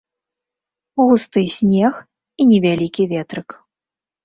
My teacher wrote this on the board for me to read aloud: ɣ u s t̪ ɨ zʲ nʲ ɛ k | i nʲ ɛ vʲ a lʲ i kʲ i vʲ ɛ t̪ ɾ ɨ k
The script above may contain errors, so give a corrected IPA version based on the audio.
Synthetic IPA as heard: ɣ u s t̪ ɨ sʲ nʲ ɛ x | i nʲ ɛ vʲ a lʲ i kʲ i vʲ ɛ t̪ ɾ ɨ k